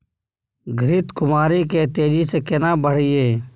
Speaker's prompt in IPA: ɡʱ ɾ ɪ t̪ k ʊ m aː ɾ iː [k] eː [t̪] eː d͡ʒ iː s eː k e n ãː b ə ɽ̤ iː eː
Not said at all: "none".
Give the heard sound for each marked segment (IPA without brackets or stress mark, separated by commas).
k, t̪